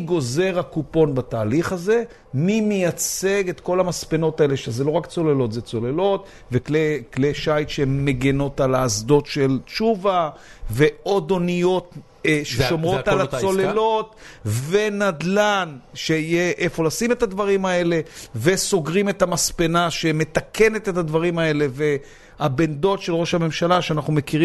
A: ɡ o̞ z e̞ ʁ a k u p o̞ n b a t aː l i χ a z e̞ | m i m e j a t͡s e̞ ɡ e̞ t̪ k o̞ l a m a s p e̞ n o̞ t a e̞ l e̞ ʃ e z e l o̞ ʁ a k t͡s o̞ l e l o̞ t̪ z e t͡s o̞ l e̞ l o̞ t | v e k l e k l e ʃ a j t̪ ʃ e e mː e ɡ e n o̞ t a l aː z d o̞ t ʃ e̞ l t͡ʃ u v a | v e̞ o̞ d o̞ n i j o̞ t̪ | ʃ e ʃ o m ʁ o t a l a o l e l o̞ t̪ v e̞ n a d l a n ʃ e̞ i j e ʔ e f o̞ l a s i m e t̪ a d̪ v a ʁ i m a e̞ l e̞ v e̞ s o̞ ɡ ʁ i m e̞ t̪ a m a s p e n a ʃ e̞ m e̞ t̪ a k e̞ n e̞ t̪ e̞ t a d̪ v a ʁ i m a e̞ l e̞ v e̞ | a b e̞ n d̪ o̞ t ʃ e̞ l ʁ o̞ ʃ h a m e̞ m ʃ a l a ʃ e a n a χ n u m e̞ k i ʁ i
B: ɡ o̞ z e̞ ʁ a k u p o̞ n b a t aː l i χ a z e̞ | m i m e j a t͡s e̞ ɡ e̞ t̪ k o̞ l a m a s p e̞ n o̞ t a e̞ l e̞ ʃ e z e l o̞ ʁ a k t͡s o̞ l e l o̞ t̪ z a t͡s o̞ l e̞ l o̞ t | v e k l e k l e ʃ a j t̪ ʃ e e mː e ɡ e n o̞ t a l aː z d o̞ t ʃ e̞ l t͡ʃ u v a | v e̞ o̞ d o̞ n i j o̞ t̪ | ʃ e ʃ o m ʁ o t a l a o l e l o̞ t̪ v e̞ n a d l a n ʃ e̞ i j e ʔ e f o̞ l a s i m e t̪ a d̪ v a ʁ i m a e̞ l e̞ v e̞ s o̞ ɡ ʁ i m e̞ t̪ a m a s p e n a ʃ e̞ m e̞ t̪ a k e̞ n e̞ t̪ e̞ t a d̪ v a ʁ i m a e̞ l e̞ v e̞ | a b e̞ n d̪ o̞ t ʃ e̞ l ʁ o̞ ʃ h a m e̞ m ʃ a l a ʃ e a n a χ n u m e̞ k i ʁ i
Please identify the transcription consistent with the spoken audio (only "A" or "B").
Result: A